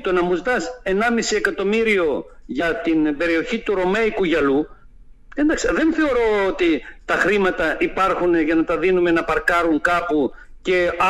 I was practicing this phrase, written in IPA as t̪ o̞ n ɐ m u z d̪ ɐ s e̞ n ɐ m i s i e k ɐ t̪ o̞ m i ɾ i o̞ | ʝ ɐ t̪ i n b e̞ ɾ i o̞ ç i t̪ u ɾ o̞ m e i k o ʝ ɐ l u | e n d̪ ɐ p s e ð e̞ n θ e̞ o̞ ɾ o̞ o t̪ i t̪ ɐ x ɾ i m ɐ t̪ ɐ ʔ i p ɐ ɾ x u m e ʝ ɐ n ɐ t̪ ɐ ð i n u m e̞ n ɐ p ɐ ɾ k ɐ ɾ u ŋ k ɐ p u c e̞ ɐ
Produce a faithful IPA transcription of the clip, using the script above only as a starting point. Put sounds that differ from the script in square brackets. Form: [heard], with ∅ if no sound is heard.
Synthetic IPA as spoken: t̪ o̞ n ɐ m u z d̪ ɐ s e̞ n ɐ m i s i e k ɐ t̪ o̞ m i ɾ i o̞ | ʝ ɐ t̪ i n b e̞ ɾ i o̞ ç i t̪ u ɾ o̞ m e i k [u] ʝ ɐ l u | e n d̪ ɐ [k] s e ð e̞ n θ e̞ o̞ ɾ o̞ o t̪ i t̪ ɐ x ɾ i m ɐ t̪ ɐ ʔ i p ɐ ɾ x u [n] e ʝ ɐ n ɐ t̪ ɐ ð i n u m e̞ n ɐ p ɐ ɾ k ɐ ɾ u ŋ k ɐ p u c e̞ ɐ